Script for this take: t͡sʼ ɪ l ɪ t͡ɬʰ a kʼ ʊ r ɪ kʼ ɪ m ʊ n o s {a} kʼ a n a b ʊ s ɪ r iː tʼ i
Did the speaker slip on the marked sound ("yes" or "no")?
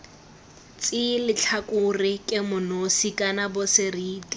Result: yes